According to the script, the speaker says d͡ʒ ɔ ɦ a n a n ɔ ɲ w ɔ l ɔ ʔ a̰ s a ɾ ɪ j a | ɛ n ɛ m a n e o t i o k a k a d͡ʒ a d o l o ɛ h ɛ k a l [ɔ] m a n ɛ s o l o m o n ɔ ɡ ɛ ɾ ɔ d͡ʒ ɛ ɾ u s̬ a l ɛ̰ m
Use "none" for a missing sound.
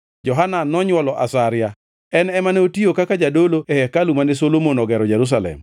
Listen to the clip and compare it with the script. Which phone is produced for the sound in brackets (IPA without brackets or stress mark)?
u